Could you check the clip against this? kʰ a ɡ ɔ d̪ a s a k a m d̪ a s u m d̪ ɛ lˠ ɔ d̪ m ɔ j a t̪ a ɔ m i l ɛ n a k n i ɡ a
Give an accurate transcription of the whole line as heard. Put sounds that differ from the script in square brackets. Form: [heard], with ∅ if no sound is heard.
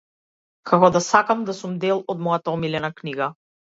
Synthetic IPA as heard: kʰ a [k] ɔ d̪ a s a k a m d̪ a s u m d̪ ɛ lˠ ɔ d̪ m ɔ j a t̪ a ɔ m i l ɛ n a k n i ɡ a